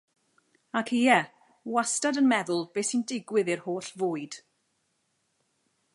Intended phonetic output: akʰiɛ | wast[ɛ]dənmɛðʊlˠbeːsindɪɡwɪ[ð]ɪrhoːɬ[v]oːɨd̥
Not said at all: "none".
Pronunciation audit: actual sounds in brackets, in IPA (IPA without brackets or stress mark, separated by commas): a, ð, v